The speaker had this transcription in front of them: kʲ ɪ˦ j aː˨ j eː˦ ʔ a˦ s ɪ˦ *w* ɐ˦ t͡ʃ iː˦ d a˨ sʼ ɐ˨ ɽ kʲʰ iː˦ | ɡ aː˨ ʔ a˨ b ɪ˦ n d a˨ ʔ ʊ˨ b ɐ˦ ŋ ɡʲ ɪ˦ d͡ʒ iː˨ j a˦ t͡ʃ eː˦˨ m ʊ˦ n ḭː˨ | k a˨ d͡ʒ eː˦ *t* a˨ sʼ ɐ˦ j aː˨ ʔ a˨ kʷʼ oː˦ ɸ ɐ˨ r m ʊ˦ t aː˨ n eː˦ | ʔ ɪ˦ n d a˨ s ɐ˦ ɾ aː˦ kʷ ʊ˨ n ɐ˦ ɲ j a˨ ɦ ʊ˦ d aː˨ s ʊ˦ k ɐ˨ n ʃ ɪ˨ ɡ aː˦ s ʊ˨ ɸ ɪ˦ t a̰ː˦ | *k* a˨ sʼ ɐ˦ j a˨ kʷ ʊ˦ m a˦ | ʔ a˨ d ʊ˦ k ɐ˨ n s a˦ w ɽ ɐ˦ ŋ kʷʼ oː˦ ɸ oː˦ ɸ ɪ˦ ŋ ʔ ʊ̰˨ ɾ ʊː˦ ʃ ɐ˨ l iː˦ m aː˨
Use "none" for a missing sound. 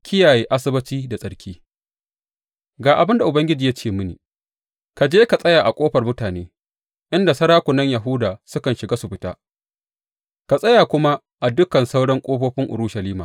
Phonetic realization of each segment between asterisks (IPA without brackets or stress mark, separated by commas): b, k, k